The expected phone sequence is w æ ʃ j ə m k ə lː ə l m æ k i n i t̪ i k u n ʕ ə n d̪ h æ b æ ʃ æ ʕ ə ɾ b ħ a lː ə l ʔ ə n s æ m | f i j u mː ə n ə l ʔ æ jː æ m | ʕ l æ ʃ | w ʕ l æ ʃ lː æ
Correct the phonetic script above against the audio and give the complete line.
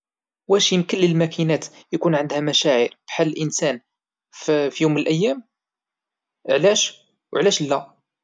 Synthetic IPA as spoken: w æ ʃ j ə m k ə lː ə l m æ k i n æ t̪ j k u n ʕ ə n d̪ h æ m æ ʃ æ ʕ ə ɾ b ħ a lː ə l ʔ ə n s æ n | f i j u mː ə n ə l ʔ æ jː æ m | ʕ l æ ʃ | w ʕ l æ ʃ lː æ